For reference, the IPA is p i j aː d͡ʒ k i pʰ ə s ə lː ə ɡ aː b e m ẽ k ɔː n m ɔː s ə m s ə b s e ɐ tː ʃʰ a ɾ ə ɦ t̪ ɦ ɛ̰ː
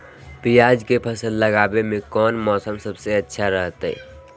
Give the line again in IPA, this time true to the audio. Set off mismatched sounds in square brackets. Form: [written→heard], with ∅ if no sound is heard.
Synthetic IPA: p i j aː d͡ʒ k [i→e] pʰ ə s ə lː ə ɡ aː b e m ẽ k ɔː n m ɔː s ə m s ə b s e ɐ tː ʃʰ a ɾ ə ɦ t̪ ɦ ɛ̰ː